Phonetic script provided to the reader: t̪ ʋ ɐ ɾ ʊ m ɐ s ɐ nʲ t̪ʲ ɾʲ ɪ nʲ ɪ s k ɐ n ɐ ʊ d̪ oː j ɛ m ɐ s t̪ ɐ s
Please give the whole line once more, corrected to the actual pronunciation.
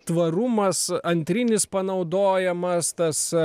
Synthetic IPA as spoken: t̪ ʋ ɐ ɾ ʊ m ɐ s ɐ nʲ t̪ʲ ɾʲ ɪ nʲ ɪ s p ɐ n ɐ ʊ d̪ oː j ɛ m ɐ s t̪ ɐ s